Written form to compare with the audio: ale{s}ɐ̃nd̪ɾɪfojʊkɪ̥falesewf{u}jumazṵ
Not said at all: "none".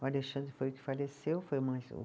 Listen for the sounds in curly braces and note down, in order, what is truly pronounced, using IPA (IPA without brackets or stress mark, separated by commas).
ʃ, o